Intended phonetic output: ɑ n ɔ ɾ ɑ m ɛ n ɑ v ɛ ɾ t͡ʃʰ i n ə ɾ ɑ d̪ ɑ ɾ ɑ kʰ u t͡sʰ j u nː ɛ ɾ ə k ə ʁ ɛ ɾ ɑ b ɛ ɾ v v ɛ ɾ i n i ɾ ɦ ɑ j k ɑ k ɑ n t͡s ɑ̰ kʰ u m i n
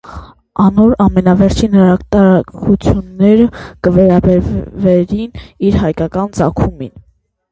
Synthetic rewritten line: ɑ n ɔ ɾ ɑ m ɛ n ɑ v ɛ ɾ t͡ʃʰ i n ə ɾ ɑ t̪ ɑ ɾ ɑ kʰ u t͡sʰ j u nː ɛ ɾ ə k ə v ɛ ɾ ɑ b ɛ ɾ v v ɛ ɾ i n i ɾ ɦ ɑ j k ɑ k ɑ n t͡s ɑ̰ kʰ u m i n